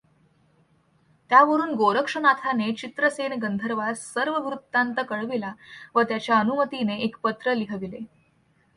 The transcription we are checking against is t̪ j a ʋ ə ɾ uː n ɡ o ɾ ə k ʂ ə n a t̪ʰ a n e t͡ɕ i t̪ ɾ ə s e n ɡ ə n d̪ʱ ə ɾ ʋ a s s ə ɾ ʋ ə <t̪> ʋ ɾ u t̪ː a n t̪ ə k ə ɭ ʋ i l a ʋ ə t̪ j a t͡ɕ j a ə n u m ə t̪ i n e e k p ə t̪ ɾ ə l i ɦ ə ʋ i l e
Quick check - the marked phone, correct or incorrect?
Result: incorrect